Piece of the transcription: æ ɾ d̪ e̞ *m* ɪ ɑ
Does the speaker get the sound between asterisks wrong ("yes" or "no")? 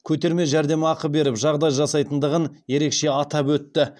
no